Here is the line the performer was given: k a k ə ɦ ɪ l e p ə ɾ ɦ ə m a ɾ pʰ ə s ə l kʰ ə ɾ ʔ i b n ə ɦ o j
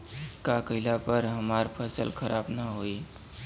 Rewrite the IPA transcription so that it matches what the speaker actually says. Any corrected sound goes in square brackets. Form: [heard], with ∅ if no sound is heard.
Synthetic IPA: k a k ə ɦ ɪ l [a] p ə ɾ ɦ ə m a ɾ pʰ ə s ə l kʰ ə ɾ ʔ [a] b n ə ɦ o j